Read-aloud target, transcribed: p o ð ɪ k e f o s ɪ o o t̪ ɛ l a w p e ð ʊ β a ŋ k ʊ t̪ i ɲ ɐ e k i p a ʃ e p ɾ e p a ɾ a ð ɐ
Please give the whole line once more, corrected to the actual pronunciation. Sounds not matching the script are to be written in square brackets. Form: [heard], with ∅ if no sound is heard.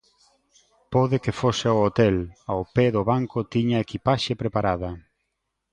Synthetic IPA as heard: p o ð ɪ k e f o s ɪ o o t̪ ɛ l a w p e ð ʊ β a ŋ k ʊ t̪ i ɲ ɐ e k i p a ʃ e p ɾ e p a ɾ a ð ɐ

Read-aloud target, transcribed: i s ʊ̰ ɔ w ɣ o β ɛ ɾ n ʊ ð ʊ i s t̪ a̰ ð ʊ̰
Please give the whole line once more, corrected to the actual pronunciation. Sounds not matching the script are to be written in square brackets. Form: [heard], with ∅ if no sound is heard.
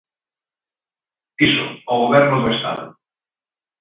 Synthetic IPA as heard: i s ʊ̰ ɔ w ɣ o β ɛ ɾ n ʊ ð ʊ [e] s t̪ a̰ ð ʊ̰

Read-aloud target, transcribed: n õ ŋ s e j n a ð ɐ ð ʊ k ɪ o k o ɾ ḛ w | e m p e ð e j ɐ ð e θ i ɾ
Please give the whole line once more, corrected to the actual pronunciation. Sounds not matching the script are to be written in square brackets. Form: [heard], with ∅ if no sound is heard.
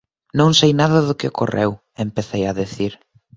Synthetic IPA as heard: n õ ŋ s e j n a ð ɐ ð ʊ k ɪ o k o [r] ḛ w | e m p e [θ] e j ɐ ð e θ i ɾ

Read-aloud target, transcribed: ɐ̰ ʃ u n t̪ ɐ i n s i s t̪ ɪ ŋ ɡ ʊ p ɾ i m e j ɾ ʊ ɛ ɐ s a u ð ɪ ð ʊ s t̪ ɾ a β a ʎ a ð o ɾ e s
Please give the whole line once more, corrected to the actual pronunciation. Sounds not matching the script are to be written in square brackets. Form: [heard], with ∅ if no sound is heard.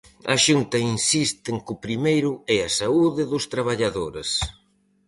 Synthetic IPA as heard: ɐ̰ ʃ u n t̪ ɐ i n s i s t̪ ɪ ŋ [k] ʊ p ɾ i m e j ɾ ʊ ɛ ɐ s a u ð ɪ ð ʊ s t̪ ɾ a β a ʎ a ð o ɾ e s

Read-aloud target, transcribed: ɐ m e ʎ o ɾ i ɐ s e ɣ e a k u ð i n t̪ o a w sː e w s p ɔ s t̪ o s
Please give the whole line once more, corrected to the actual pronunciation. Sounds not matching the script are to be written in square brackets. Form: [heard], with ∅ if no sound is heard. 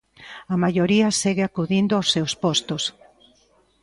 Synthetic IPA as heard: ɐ m [a] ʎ o ɾ i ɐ s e ɣ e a k u ð i n [d̪] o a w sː e w s p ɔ s t̪ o s

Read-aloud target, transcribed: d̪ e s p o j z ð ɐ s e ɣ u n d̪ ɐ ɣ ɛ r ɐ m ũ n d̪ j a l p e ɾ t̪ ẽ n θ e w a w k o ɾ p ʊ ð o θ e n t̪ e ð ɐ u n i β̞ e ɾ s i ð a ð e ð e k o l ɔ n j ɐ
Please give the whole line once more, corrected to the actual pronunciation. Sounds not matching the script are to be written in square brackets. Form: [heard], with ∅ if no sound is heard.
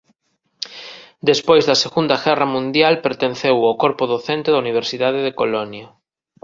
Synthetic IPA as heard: d̪ e s p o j z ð ɐ s e ɣ u n d̪ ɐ ɣ ɛ r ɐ m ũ n d̪ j a l p e ɾ t̪ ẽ n θ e w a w k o ɾ p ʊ ð o θ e n t̪ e ð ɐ u n i β̞ e ɾ s i ð a ð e ð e k o l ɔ n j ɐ

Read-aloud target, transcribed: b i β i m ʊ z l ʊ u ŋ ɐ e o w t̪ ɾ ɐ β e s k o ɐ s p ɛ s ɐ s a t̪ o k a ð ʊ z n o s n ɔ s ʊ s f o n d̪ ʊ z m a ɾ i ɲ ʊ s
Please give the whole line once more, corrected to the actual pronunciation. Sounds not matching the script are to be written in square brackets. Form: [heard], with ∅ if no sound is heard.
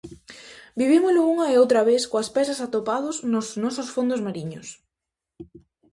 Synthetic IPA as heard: b i β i m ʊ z l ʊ u ŋ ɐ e o w t̪ ɾ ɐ β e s k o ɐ s p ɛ s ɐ s a t̪ o [p] a ð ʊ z n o s n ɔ s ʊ s f o n d̪ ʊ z m a ɾ i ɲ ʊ s

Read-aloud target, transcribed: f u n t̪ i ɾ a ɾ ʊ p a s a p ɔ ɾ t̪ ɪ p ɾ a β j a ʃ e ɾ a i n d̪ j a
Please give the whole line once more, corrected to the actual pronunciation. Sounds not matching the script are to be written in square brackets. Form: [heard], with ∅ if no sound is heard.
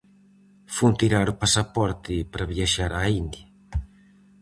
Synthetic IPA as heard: f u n t̪ i ɾ a ɾ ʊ p a s a p ɔ ɾ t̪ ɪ p ɾ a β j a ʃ [a] ɾ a i n d̪ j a

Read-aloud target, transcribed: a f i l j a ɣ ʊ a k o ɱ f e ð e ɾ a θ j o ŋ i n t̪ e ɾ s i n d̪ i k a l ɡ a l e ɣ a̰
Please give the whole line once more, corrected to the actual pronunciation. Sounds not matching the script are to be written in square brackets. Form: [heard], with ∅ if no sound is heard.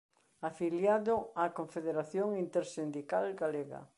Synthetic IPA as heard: a f i l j a [ð] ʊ a k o ɱ f e ð e ɾ a θ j o ŋ i n t̪ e ɾ s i n d̪ i k a l ɡ a l e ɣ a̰

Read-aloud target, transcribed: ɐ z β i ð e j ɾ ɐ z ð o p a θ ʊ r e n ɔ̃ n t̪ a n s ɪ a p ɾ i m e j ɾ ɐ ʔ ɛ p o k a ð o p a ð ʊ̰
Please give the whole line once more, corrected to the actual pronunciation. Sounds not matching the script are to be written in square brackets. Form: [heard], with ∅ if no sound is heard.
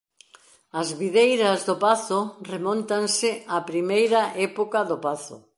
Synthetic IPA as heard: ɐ z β i ð e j ɾ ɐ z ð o p a θ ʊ r e [m] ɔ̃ n t̪ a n s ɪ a p ɾ i m e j ɾ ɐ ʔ ɛ p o k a ð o p a [θ] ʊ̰

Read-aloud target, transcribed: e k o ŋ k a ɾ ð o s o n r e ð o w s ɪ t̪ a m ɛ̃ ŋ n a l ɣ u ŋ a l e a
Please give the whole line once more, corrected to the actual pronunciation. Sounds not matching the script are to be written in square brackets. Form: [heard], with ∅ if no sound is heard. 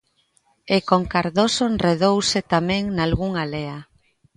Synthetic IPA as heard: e k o ŋ k a ɾ ð o s o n r e ð o w s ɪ t̪ a m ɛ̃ ŋ n a l ɣ u ŋ a l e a

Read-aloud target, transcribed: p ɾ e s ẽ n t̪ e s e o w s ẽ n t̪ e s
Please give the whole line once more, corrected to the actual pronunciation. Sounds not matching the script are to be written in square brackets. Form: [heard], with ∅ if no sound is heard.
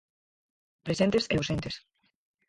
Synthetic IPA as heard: p ɾ e s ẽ n t̪ e s e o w s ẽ n t̪ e s

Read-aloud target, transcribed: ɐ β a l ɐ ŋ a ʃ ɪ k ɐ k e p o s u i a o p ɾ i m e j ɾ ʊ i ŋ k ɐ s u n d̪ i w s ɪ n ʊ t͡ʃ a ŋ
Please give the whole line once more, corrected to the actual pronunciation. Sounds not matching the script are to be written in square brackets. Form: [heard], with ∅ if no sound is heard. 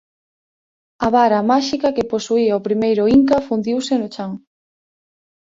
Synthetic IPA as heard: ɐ β a [ɾ] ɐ [m] a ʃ [i] k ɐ k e p o s u i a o p ɾ i m e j ɾ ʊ i ŋ k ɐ [f] u n d̪ i w s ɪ n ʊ t͡ʃ a ŋ

